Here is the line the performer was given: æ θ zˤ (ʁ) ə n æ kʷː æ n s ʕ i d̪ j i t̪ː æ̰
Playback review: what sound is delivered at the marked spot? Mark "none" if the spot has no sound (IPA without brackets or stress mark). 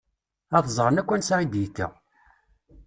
ʁ